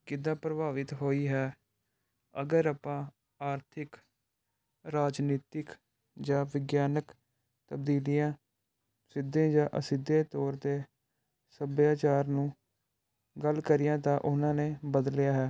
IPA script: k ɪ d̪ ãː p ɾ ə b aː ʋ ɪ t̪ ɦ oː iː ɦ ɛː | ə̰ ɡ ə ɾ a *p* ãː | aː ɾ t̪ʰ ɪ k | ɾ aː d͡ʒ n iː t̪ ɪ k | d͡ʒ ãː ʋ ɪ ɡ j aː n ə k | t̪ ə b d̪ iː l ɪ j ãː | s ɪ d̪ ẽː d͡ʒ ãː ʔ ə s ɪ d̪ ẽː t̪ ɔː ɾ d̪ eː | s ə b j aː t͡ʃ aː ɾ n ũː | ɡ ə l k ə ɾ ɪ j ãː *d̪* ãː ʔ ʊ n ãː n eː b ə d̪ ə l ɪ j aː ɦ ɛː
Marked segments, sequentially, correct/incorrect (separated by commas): correct, incorrect